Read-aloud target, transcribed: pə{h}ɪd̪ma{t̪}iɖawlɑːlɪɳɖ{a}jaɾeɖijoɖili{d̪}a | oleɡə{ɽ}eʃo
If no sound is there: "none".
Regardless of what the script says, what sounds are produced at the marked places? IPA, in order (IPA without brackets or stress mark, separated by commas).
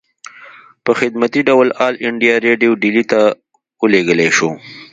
x, t̪, i, t̪, l